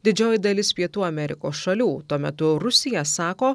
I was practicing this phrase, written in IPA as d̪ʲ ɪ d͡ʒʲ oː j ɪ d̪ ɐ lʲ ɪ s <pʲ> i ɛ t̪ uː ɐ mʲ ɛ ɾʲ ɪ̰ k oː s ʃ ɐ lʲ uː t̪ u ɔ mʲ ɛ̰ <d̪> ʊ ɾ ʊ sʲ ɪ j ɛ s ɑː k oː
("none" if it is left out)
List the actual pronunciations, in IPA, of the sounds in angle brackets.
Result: pʲ, t̪

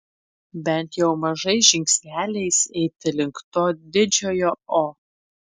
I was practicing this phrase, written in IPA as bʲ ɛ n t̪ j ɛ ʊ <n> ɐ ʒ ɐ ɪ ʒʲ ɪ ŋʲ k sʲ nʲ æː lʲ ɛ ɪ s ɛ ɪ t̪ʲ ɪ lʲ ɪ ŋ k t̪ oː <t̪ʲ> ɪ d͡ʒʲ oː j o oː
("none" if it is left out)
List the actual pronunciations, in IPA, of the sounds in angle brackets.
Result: m, d̪ʲ

